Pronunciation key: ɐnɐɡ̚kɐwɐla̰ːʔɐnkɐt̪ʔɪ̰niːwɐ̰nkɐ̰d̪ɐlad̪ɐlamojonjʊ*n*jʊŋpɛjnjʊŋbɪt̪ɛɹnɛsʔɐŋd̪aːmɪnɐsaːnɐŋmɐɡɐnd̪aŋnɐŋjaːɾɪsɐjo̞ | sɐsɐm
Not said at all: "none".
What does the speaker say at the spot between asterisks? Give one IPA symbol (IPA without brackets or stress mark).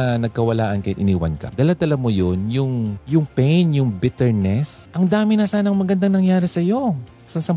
ŋ